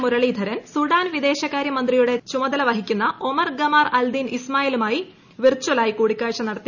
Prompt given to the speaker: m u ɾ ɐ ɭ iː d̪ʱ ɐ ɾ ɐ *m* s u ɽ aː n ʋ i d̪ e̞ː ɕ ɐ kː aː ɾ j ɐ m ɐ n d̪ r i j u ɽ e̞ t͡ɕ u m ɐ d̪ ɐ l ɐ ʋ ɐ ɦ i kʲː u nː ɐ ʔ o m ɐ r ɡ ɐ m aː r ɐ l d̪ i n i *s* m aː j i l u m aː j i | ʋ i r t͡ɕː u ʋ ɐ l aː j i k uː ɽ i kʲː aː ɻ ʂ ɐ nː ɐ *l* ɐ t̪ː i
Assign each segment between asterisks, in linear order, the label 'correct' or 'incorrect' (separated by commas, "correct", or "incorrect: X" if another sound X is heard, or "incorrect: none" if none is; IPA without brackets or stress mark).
incorrect: n, correct, incorrect: ɽ